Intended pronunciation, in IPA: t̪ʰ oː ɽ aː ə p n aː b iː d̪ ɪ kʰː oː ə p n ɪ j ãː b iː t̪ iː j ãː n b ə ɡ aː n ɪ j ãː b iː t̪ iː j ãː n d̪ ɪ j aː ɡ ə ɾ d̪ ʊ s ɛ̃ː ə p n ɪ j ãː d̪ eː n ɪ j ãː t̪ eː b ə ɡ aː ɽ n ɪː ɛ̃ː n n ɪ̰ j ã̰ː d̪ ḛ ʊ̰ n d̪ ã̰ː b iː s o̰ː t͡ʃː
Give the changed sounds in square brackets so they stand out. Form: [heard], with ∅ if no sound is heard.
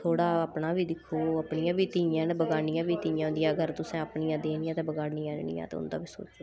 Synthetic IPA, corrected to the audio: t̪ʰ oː ɽ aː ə p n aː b iː d̪ ɪ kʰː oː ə p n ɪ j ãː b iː t̪ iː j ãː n b ə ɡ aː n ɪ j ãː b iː t̪ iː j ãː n d̪ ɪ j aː ɡ ə ɾ [t̪] ʊ s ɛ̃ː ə p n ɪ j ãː d̪ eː n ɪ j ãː t̪ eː b ə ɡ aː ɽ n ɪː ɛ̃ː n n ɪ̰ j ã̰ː [t̪] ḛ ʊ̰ n d̪ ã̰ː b iː s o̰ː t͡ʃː